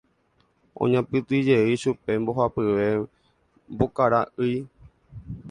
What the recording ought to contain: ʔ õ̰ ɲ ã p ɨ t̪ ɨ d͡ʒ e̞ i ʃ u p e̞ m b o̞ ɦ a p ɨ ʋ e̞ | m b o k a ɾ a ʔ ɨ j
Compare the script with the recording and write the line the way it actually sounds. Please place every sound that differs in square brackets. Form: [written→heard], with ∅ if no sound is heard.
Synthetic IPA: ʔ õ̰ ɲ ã p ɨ t̪ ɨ d͡ʒ e̞ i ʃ u p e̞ m b o̞ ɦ a p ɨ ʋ e̞ | m b o k a ɾ a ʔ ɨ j